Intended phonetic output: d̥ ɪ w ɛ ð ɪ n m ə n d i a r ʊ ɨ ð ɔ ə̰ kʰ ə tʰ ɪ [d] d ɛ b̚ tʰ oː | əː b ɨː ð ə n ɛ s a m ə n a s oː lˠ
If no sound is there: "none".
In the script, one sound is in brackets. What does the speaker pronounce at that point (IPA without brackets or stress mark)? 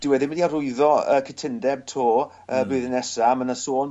n